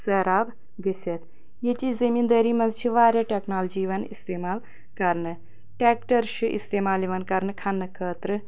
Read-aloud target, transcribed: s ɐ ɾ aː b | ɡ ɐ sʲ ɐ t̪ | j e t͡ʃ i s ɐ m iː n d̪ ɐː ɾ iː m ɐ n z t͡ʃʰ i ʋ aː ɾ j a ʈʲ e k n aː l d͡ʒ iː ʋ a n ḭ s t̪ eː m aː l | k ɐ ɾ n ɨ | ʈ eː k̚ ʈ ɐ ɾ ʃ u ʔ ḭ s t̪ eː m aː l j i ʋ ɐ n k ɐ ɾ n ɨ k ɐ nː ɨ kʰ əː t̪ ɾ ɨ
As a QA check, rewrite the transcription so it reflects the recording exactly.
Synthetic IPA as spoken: s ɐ ɾ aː b | ɡ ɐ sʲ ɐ t̪ | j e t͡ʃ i z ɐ m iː n d̪ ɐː ɾ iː m ɐ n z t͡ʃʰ i ʋ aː ɾ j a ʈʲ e k n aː l d͡ʒ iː ʋ ɐ n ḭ s t̪ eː m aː l | k ɐ ɾ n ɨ | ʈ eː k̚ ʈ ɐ ɾ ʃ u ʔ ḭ s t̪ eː m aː l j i ʋ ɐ n k ɐ ɾ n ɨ kʰ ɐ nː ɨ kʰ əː t̪ ɾ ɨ